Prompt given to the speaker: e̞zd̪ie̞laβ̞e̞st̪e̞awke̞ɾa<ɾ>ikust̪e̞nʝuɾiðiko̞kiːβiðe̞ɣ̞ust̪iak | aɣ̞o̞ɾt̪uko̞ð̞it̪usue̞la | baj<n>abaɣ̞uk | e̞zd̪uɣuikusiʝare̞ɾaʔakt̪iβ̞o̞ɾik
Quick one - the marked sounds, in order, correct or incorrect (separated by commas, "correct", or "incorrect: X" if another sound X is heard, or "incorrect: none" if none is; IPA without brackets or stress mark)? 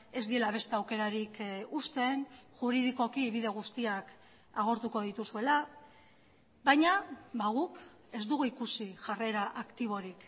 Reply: correct, incorrect: ɲ